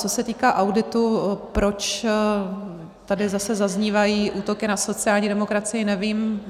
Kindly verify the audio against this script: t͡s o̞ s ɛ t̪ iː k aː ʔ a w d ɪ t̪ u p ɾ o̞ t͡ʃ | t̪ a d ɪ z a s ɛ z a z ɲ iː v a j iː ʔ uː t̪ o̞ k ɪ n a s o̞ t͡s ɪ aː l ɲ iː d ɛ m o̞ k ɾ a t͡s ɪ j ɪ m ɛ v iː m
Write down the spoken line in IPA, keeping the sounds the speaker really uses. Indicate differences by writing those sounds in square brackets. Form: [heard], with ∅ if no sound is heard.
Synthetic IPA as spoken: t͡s o̞ s ɛ t̪ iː k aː ʔ a w d ɪ t̪ u p ɾ o̞ t͡ʃ | t̪ a d ɪ z a s ɛ z a z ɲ iː v a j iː ʔ uː t̪ o̞ k ɪ n a s o̞ t͡s ɪ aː l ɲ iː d ɛ m o̞ k ɾ a t͡s ɪ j ɪ [n] ɛ v iː m